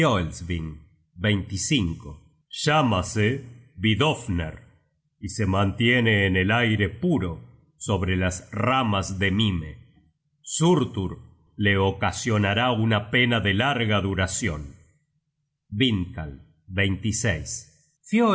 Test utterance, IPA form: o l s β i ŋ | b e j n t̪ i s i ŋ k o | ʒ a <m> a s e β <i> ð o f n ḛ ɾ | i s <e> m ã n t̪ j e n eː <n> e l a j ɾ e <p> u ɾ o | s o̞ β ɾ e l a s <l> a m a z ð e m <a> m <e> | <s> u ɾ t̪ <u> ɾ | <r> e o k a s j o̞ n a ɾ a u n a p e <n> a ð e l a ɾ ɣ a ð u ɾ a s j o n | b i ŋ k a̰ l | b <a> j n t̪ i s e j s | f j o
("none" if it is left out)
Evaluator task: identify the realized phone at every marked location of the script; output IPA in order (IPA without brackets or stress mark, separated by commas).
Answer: m, i, e, n, p, r, i, e, s, u, l, n, e